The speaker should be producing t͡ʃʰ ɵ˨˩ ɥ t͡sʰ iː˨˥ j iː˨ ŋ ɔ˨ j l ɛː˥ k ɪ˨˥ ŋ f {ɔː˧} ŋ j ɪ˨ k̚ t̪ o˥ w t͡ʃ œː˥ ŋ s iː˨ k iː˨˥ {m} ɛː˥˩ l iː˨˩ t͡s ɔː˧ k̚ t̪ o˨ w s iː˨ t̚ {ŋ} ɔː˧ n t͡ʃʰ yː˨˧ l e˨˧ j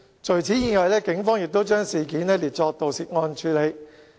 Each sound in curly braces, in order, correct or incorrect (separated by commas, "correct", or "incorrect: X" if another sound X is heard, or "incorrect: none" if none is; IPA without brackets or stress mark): incorrect: ɔː˥, incorrect: n, correct